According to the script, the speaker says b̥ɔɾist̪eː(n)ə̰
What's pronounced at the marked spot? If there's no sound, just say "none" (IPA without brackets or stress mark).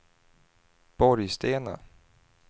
n